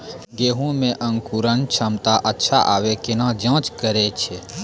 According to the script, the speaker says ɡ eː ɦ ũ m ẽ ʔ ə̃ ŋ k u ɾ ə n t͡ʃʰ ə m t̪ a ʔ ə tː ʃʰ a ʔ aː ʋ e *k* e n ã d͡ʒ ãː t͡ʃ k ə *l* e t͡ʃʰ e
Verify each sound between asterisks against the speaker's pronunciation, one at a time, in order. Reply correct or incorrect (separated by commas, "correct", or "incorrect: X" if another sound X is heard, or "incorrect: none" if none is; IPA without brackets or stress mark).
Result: correct, incorrect: ɾ